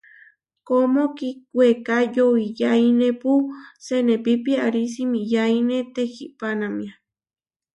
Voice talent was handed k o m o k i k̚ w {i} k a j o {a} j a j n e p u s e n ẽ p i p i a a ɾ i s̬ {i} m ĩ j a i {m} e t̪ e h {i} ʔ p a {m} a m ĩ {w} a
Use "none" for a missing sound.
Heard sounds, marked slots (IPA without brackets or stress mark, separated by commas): e, i, i, n, i, n, none